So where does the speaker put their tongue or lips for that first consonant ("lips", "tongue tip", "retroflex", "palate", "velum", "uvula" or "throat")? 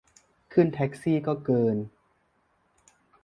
velum